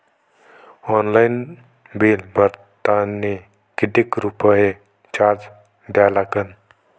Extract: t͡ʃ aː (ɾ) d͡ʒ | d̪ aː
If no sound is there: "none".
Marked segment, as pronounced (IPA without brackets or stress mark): ɾ